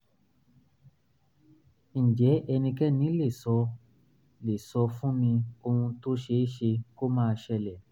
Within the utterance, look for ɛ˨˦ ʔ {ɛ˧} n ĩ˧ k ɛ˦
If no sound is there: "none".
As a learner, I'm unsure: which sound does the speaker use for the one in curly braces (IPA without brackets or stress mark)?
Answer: ɛ˧